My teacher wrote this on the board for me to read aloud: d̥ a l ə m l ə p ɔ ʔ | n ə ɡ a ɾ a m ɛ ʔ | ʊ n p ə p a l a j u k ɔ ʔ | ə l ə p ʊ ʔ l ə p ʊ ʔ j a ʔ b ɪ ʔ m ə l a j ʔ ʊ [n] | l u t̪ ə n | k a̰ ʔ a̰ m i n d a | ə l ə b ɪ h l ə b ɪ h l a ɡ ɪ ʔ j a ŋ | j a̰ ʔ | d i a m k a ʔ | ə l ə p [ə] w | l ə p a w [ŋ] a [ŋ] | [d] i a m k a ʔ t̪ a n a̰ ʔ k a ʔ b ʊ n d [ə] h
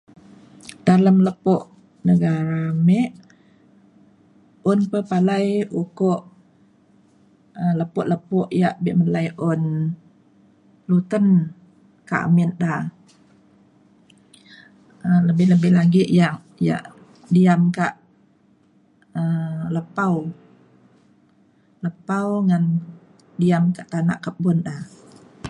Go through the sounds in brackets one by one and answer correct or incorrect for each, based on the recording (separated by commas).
correct, incorrect, correct, incorrect, correct, incorrect